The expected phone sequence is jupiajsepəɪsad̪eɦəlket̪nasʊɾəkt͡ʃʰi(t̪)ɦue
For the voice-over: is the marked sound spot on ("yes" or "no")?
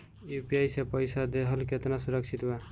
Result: yes